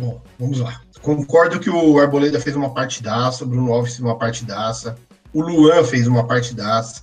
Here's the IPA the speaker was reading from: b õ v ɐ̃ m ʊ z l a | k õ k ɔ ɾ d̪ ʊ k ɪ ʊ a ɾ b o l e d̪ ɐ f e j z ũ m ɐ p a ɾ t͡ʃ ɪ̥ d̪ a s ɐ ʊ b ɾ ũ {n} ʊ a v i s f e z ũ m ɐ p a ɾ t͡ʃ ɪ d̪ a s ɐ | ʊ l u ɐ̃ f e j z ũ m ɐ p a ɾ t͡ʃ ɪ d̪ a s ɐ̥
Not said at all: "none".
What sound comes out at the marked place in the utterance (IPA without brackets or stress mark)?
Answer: n